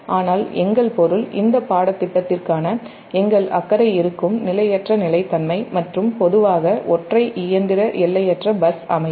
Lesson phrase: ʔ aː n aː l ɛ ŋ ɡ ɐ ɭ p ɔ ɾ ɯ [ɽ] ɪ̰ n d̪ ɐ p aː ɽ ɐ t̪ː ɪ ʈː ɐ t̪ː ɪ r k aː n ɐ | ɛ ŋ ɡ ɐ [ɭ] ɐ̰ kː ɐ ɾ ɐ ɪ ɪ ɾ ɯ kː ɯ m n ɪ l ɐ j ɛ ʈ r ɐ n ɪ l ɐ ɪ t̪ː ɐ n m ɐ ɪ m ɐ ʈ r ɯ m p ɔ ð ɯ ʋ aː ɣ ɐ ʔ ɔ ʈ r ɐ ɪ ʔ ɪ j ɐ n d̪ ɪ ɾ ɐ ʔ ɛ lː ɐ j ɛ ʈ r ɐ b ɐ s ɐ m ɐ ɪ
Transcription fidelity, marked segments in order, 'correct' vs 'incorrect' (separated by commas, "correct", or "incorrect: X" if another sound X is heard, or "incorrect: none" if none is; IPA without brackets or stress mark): incorrect: l, correct